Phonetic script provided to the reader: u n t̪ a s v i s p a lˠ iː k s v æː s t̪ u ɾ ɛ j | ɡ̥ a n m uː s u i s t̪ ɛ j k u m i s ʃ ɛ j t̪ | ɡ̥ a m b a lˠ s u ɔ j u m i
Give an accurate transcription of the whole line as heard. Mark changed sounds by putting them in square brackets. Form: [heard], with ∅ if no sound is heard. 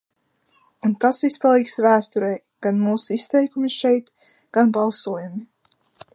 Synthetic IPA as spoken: u n t̪ a s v i s p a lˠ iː k s v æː s t̪ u ɾ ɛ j | ɡ̥ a n m uː s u i s t̪ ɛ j k u m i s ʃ ɛ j t̪ | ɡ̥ a [n] b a lˠ s u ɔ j u m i